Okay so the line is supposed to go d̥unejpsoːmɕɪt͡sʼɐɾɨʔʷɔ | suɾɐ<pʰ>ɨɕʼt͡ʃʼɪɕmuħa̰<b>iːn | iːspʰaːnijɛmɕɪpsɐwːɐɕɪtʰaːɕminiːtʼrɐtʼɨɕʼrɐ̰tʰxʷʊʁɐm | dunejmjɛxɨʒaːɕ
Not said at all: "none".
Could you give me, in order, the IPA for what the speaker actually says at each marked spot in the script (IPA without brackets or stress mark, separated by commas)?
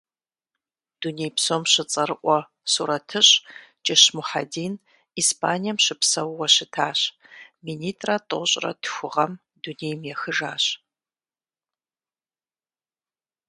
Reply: tʰ, d